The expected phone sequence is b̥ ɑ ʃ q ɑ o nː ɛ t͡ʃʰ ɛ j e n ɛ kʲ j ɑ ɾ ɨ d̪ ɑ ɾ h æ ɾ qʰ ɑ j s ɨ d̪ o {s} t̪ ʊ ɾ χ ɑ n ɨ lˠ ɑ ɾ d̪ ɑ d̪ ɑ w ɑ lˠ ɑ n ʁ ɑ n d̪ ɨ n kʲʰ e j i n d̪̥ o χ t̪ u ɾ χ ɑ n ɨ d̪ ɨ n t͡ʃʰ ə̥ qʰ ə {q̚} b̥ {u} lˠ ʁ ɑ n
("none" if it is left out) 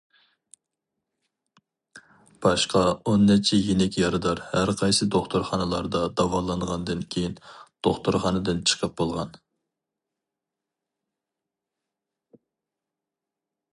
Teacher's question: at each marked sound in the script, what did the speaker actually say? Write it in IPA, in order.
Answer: χ, p̚, o

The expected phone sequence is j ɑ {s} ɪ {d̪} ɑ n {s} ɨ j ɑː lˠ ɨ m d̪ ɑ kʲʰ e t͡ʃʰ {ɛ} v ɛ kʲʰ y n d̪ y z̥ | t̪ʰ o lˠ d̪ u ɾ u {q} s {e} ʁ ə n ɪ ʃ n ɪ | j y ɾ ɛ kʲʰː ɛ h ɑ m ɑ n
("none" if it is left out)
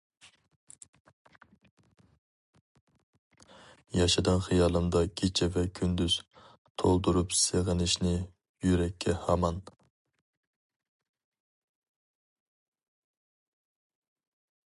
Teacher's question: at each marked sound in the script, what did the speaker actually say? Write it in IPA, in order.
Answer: ʃ, d̪, χ, ɛ, p, e

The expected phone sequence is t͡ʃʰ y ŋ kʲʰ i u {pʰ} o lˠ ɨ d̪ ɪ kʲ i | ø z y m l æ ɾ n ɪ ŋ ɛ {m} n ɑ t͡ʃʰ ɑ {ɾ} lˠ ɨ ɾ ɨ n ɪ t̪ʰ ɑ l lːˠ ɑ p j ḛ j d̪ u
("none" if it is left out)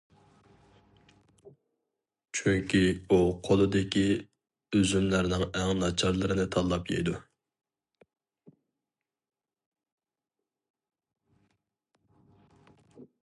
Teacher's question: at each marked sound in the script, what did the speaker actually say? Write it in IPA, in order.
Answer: qʰ, ŋ, ɾ

